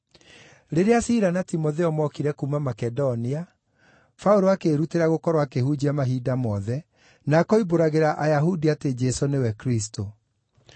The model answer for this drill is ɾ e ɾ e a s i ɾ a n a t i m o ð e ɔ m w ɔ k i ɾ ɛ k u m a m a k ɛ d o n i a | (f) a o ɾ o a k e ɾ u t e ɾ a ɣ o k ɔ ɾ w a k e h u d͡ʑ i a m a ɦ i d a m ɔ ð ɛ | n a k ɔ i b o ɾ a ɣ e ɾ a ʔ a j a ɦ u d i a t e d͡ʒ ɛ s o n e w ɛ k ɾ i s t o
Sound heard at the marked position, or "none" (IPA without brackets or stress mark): f